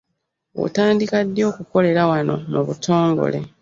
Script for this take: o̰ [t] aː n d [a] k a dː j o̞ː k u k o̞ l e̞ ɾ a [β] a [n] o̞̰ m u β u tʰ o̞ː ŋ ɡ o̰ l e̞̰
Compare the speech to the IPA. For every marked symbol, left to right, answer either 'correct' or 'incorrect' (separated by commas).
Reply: correct, incorrect, incorrect, correct